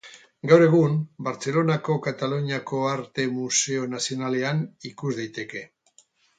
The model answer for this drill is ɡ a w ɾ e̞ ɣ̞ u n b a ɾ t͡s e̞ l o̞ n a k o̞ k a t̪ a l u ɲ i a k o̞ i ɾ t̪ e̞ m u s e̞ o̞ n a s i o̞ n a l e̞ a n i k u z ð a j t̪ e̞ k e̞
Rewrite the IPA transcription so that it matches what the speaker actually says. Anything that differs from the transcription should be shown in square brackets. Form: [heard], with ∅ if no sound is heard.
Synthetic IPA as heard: ɡ a w ɾ e̞ ɣ̞ u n b a ɾ t͡s e̞ l o̞ n a k o̞ k a t̪ a l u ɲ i a k o̞ [a] ɾ t̪ e̞ m u s e̞ o̞ n a s i o̞ n a l e̞ a n i k u z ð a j t̪ e̞ k e̞

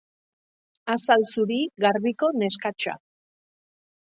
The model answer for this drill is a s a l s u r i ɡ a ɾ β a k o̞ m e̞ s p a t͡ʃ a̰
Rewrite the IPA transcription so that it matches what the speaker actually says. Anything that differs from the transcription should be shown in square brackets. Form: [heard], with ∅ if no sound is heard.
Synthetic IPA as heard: a s a l s u [ɾ] i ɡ a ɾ β [i] k o̞ [n] e̞ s [k] a t͡ʃ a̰

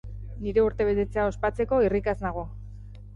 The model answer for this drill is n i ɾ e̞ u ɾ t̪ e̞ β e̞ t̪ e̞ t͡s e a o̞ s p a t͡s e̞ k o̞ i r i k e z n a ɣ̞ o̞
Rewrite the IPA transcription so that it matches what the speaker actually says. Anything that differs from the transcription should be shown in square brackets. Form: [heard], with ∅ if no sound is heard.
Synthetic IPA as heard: n i ɾ e̞ u ɾ t̪ e̞ β e̞ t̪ e̞ t͡s e a o̞ s p a t͡s e̞ k o̞ i r i k [a] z n a ɣ̞ o̞

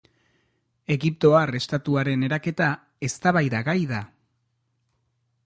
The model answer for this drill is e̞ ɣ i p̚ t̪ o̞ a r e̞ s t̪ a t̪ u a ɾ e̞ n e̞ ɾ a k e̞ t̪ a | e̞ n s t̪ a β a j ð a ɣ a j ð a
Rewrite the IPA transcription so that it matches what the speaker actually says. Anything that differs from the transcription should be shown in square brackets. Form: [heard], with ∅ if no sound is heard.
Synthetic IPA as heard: e̞ ɣ i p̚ t̪ o̞ a r e̞ s t̪ a t̪ u a ɾ e̞ n e̞ ɾ a k e̞ t̪ a | e̞ [∅] s t̪ a β a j ð a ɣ a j ð a

